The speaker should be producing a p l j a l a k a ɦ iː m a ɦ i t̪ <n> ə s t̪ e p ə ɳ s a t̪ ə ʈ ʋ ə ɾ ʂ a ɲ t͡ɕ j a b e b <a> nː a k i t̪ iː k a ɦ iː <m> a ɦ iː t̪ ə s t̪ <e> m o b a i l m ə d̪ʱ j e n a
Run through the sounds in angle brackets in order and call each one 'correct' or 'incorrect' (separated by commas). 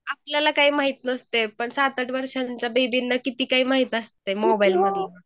correct, incorrect, correct, correct